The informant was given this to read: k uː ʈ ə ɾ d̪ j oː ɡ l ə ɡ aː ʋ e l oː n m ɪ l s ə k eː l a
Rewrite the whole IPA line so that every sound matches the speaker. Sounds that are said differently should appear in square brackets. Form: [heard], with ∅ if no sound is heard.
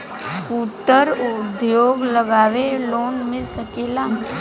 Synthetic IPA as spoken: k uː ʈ ə ɾ d̪ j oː ɡ l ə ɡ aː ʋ e l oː n m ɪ l s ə k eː l a

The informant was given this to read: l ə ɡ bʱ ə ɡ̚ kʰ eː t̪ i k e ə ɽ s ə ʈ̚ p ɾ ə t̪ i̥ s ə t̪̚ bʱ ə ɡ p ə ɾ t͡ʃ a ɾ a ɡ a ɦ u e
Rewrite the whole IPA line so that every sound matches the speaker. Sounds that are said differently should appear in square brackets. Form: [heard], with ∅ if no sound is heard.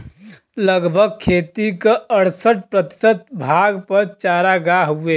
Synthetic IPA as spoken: l ə ɡ bʱ ə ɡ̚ kʰ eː t̪ i k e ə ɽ s ə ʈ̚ p ɾ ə t̪ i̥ s ə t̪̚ bʱ [a] ɡ p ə ɾ t͡ʃ a ɾ a ɡ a ɦ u e

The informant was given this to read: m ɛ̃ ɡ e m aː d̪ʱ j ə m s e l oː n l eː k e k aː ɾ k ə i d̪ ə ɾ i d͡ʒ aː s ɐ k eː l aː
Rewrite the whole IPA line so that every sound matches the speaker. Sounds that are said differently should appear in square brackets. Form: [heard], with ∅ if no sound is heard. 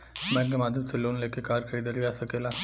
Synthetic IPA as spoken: m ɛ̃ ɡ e m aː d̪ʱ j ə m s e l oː n l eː k e k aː ɾ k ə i d̪ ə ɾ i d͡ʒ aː s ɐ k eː l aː

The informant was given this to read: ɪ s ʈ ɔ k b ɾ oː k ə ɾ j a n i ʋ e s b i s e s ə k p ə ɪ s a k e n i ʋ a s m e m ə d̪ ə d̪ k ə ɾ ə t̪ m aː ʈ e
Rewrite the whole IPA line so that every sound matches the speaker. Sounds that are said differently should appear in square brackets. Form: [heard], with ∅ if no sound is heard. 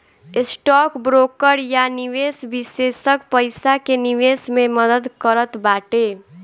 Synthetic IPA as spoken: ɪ s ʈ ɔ k b ɾ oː k ə ɾ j a n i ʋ e s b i s e s ə k p ə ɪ s a k e n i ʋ [e] s m e m ə d̪ ə d̪ k ə ɾ ə t̪ [b] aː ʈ e

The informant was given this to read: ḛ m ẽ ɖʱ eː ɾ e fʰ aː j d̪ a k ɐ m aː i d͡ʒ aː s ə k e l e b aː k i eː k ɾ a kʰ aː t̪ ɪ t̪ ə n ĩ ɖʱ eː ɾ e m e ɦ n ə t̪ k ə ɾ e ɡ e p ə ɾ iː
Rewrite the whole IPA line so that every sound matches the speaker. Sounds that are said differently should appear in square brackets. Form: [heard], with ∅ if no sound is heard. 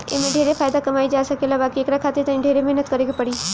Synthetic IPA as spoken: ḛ m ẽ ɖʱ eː ɾ e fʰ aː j d̪ a k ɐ m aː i d͡ʒ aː s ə k e l [a] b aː k i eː k ɾ a kʰ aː t̪ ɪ t̪ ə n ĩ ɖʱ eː ɾ e m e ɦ n ə t̪ k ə ɾ e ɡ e p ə [ɽ] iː

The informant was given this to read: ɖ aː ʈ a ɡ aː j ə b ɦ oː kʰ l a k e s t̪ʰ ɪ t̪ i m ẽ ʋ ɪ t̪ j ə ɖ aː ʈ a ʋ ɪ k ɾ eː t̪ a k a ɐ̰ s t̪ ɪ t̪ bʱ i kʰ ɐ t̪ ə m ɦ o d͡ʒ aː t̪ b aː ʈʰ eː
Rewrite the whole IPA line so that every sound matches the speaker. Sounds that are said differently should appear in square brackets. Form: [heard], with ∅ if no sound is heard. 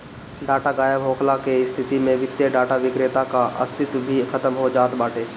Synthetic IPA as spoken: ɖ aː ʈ a ɡ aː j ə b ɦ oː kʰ l a k e s t̪ʰ ɪ t̪ i m ẽ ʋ ɪ t̪ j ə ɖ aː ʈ a ʋ ɪ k ɾ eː t̪ a k a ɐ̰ s t̪ ɪ t̪ bʱ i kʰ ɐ t̪ ə m ɦ o d͡ʒ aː t̪ b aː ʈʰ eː

